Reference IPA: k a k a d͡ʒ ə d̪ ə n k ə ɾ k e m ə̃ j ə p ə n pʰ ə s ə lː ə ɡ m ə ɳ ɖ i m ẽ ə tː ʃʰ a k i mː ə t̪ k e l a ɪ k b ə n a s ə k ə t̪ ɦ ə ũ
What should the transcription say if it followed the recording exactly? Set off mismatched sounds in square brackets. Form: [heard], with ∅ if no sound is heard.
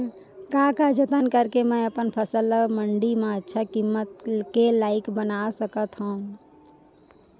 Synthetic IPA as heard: k a k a d͡ʒ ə [t̪] ə n k ə ɾ k e m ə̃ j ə p ə n pʰ ə s ə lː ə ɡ m ə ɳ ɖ i m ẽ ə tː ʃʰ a k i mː ə t̪ k e l a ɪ k b ə n a s ə k ə t̪ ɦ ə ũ